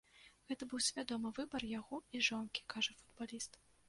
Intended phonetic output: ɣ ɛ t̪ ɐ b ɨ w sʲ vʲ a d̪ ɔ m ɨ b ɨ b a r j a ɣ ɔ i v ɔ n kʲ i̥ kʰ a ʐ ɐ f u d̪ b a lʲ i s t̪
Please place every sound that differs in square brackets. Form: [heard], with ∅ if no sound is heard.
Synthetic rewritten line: ɣ ɛ t̪ ɐ b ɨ w sʲ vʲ a d̪ ɔ m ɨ [v] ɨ b [ɐ] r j a ɣ ɔ i [ʐ] ɔ n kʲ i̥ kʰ a ʐ ɐ f u d̪ b a lʲ i s t̪